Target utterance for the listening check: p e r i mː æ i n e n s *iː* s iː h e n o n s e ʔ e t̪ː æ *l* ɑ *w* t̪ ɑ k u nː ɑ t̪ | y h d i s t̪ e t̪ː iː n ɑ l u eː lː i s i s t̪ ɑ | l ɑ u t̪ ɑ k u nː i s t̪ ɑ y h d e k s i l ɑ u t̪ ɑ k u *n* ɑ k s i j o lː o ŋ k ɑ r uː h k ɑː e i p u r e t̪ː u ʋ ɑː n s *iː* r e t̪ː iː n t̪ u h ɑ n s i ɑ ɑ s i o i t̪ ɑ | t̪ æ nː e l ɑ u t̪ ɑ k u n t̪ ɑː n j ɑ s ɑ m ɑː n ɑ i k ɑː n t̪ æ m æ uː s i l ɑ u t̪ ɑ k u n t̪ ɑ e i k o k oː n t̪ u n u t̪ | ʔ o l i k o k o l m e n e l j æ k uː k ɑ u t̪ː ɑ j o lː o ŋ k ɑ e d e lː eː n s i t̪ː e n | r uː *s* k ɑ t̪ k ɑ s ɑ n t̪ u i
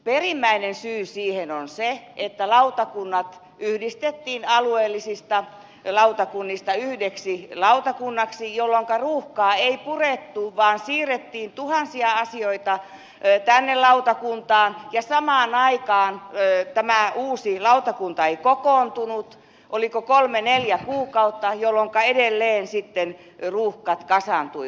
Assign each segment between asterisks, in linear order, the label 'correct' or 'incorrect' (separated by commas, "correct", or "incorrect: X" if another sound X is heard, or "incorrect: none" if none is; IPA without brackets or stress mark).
incorrect: yː, correct, incorrect: u, incorrect: nː, correct, incorrect: h